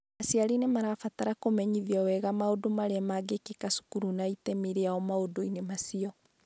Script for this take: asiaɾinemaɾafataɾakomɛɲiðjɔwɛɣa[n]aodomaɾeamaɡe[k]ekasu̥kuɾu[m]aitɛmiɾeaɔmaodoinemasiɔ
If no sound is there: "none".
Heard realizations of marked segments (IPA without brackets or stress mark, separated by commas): m, k, n